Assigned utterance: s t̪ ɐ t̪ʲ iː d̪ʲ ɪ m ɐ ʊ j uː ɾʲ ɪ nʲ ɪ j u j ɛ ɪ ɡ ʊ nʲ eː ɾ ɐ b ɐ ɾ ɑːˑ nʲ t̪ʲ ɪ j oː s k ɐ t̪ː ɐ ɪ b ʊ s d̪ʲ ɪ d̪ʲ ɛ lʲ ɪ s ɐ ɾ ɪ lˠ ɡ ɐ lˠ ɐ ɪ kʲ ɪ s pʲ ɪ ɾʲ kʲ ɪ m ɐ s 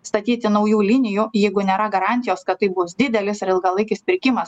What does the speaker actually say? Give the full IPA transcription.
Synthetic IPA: s t̪ ɐ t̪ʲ iː t̪ʲ ɪ n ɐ ʊ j uː lʲ ɪ nʲ ɪ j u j ɛ ɪ ɡ ʊ nʲ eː ɾ ɐ ɡ ɐ ɾ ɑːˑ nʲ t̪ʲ ɪ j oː s k ɐ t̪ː ɐ ɪ b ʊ s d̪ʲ ɪ d̪ʲ ɛ lʲ ɪ s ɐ ɾ ɪ lˠ ɡ ɐ lˠ ɐ ɪ kʲ ɪ s pʲ ɪ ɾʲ kʲ ɪ m ɐ s